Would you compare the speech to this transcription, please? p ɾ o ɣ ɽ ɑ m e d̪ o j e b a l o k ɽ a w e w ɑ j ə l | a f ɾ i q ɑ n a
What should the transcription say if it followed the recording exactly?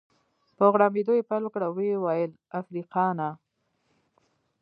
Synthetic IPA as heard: p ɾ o ɣ ɽ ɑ m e d̪ o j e p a l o k ɽ a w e w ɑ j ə l | a f ɾ i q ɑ n a